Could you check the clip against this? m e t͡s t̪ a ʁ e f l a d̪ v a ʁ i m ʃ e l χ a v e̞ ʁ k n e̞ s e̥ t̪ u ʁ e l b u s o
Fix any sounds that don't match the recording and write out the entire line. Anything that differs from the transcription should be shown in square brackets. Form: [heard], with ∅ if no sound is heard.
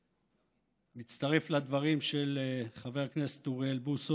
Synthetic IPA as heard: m [i] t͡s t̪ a ʁ e f l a d̪ v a ʁ i m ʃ e l χ a v e̞ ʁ k n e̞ s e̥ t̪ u ʁ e l b u s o

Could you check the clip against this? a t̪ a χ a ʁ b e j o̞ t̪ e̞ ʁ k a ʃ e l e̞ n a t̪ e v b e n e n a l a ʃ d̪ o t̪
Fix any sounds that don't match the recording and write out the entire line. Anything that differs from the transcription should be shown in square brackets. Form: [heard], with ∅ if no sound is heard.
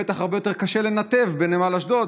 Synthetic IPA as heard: [e] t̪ a χ a ʁ b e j o̞ t̪ e̞ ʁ k a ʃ e l e̞ n a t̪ e v b e n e [m] a l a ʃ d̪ o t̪

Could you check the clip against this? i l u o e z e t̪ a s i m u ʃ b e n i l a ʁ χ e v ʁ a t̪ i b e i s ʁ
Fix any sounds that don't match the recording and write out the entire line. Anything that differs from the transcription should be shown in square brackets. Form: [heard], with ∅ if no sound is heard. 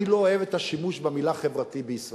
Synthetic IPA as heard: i l [o] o e [v] e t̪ a [ʃ] i m u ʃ b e [m] i l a [∅] χ e v ʁ a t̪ i b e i s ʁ

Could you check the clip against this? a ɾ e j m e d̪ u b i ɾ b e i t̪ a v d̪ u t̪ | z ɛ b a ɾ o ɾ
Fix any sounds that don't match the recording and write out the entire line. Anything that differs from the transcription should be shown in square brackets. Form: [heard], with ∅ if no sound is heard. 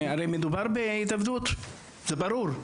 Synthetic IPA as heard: a ɾ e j m e d̪ u b [a] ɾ b e i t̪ a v d̪ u t̪ | z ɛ b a ɾ [u] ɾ

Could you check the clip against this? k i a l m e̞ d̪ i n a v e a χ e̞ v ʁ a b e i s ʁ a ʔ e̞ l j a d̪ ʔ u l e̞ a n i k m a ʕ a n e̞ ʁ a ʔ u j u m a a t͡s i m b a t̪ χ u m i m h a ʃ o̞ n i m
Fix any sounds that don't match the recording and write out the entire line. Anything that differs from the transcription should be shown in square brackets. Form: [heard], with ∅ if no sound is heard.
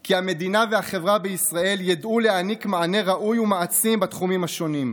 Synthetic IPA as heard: k i a [∅] m e̞ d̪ i n a v e a χ e̞ v ʁ a b e i s ʁ a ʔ e̞ l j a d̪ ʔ u l e̞ a n i k m a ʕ a n e̞ ʁ a ʔ u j u m a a t͡s i m b a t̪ χ u m i m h a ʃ o̞ n i m

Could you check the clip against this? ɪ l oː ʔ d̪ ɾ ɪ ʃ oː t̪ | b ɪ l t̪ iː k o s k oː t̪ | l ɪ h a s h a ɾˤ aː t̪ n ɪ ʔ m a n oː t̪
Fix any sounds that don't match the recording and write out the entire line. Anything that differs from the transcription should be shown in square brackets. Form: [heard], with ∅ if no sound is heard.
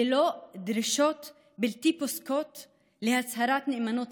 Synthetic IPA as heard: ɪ l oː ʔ d̪ ɾ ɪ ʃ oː t̪ | b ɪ l t̪ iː [p] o s k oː t̪ | l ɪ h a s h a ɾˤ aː t̪ n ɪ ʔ m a n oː t̪

